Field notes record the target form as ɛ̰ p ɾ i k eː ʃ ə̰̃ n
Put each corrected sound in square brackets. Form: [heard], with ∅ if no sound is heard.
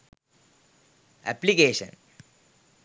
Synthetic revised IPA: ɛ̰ p [l] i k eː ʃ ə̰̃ n